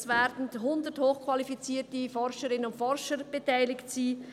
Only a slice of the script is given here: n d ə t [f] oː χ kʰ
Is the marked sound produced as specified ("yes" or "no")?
no